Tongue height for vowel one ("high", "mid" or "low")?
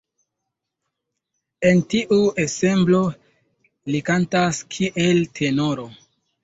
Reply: mid